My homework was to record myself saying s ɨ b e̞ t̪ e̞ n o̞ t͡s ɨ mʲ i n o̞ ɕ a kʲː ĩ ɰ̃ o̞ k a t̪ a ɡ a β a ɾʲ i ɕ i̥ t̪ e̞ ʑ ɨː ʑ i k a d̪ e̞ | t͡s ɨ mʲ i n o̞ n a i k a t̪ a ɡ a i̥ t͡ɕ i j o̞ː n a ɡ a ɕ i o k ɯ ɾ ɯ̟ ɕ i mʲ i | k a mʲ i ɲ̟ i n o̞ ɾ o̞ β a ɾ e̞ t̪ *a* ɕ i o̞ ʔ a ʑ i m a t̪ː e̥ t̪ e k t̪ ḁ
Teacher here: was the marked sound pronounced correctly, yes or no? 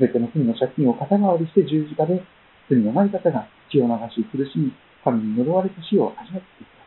yes